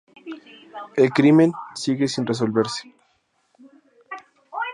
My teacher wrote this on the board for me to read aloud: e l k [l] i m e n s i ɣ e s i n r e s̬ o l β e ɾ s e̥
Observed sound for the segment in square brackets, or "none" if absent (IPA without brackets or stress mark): ɾ